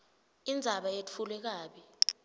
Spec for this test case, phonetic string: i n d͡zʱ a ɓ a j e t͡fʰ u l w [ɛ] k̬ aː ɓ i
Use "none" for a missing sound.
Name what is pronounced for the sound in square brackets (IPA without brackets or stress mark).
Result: ɛ